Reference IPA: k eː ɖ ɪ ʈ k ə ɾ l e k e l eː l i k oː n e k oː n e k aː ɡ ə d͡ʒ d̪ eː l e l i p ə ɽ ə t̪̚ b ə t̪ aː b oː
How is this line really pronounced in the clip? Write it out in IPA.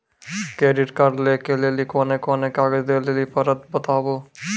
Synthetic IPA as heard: k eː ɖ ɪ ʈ k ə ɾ l e k e l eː l i k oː n e k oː n e k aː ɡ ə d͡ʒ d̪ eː l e l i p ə ɾ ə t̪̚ b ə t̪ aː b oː